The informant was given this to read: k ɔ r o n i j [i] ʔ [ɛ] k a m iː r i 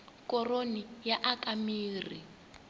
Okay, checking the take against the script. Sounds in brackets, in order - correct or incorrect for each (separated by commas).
incorrect, incorrect